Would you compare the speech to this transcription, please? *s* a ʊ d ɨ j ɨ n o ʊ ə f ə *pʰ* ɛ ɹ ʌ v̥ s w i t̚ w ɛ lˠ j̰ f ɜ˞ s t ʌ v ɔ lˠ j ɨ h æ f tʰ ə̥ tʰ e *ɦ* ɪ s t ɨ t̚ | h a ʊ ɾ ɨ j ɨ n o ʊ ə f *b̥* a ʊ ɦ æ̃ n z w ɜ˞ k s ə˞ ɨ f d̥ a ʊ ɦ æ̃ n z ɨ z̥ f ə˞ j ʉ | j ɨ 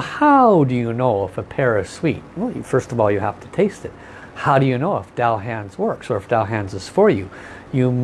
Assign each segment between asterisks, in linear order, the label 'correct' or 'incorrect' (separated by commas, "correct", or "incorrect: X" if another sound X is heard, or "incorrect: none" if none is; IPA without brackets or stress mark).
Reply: incorrect: h, correct, incorrect: none, incorrect: d̥